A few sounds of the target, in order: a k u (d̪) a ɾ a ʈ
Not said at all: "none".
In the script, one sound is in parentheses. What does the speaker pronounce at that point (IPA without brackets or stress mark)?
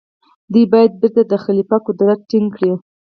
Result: d̪